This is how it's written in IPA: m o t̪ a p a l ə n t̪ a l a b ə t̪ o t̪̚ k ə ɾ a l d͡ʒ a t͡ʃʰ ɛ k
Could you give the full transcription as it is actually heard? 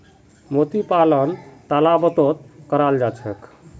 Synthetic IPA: m o t̪ i p a l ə n t̪ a l a b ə t̪ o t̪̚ k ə ɾ a l d͡ʒ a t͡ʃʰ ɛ k